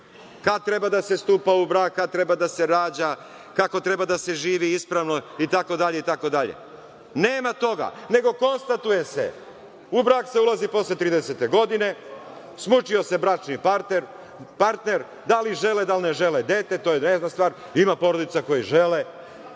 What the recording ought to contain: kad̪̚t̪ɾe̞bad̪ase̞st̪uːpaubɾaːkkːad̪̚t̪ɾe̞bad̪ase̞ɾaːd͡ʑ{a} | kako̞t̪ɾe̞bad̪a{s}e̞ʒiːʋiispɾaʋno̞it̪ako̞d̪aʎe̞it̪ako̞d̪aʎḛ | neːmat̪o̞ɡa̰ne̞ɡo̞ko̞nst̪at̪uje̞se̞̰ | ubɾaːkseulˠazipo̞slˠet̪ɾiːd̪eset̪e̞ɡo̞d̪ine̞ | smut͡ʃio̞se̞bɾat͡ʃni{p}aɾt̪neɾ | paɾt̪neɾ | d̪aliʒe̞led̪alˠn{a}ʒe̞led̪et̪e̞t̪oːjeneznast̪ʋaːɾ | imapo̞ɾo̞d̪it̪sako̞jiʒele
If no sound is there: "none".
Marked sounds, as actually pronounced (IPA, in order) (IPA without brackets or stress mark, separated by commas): a, s, p, e